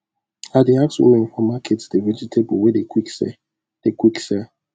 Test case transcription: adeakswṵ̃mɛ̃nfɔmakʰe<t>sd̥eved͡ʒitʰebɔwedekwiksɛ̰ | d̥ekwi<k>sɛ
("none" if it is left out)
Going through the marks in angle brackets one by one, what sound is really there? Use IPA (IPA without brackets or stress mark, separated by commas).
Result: t, k